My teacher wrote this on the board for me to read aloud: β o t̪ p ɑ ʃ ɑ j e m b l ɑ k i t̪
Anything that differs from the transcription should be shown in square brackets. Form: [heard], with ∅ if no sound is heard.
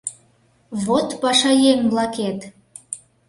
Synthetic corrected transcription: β o t̪ p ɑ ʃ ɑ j e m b l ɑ k [e] t̪